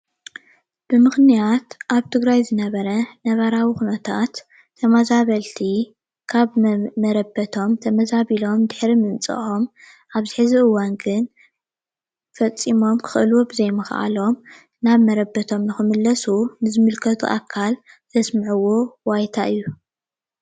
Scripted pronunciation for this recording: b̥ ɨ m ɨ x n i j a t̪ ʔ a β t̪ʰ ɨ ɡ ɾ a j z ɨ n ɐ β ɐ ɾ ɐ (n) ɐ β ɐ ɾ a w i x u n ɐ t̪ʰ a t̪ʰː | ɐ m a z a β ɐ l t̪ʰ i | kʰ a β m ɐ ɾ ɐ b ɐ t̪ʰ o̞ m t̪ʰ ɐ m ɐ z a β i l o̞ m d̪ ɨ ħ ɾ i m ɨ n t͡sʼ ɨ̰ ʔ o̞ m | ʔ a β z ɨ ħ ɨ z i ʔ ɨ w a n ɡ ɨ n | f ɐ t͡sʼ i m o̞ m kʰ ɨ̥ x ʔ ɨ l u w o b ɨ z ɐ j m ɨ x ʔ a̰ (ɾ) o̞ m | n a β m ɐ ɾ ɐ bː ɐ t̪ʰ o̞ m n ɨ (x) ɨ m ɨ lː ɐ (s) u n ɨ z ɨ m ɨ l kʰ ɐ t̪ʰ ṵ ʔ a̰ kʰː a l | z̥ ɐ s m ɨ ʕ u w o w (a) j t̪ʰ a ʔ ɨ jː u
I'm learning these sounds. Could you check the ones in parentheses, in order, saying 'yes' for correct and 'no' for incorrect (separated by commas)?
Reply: yes, no, yes, yes, yes